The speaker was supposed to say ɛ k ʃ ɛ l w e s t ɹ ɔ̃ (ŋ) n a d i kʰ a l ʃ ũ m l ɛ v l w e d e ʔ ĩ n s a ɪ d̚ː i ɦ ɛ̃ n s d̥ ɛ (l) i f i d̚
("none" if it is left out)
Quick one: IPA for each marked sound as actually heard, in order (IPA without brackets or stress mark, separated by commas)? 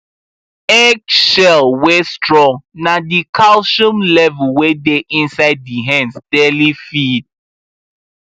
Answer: ŋ, l